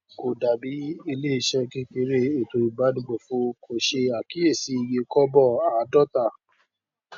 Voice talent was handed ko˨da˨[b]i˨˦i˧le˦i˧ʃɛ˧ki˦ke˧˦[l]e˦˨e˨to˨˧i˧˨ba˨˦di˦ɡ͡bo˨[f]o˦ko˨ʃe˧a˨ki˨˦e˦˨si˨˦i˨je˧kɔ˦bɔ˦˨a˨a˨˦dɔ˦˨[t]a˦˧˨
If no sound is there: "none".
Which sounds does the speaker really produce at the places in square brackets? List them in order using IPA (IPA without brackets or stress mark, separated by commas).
b, ɾ, f, t